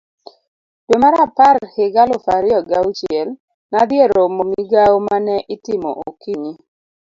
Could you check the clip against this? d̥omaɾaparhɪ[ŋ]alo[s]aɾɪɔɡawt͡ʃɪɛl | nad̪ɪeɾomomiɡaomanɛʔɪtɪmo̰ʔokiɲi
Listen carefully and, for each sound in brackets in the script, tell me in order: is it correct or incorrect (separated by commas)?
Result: incorrect, incorrect